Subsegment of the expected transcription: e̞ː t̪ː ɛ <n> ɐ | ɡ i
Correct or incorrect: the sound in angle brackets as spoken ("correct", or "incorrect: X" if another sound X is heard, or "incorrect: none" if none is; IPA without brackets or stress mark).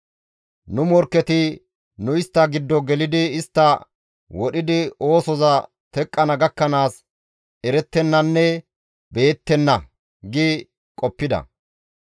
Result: incorrect: nː